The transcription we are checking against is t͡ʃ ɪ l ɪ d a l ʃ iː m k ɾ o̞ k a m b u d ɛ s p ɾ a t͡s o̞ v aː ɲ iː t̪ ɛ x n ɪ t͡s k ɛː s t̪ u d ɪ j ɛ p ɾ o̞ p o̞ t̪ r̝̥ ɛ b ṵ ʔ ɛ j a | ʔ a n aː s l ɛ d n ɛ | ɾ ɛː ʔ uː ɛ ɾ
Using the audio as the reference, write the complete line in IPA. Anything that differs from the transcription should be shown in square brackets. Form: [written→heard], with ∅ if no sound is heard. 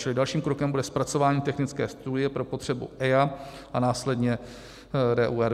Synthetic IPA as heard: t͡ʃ ɪ l ɪ d a l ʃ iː m k ɾ o̞ k [a→ɛ] m b u d ɛ s p ɾ a t͡s o̞ v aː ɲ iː t̪ ɛ x n ɪ t͡s k ɛː s t̪ u d ɪ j ɛ p ɾ o̞ p o̞ t̪ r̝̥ ɛ b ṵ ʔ ɛ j a | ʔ a n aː s l ɛ d [n→ɲ] ɛ | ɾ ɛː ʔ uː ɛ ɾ